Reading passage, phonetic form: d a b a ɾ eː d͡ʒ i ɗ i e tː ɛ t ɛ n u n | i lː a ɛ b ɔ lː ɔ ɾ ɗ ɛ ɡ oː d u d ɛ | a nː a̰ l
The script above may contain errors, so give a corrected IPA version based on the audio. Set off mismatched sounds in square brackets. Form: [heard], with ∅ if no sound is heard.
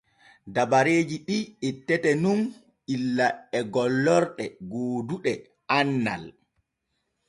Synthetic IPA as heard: d a b a ɾ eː d͡ʒ i ɗ i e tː ɛ t ɛ n u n | i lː a ɛ [ɡ] ɔ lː ɔ ɾ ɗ ɛ ɡ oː d u [ɗ] ɛ | a nː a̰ l